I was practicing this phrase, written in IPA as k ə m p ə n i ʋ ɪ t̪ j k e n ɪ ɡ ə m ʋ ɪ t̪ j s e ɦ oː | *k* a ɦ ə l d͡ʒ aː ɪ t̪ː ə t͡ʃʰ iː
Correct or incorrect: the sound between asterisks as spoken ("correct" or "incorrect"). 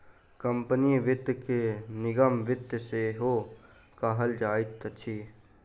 correct